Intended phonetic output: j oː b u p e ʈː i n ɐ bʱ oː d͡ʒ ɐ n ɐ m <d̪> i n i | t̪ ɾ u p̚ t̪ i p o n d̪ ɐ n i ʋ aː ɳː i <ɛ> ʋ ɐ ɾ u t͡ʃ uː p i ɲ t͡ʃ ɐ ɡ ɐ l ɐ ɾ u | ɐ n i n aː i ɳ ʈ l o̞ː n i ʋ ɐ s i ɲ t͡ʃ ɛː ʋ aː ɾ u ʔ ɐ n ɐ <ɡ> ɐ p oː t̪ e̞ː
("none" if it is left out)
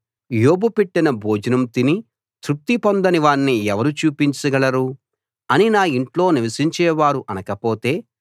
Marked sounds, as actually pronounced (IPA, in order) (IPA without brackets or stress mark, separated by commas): t̪, ɛ, k